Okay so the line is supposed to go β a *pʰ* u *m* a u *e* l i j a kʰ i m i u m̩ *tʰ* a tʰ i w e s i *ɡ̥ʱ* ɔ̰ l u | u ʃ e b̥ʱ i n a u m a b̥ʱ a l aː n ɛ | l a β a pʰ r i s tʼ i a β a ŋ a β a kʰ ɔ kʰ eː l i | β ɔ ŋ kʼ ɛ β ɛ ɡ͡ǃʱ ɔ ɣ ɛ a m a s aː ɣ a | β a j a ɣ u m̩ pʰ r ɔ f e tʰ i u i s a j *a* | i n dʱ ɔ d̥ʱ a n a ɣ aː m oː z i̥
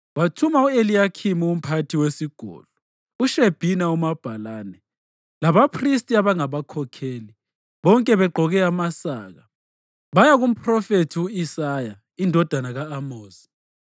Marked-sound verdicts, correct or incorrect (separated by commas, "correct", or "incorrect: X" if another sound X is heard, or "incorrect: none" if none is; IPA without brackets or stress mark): incorrect: tʰ, correct, correct, incorrect: pʰ, correct, correct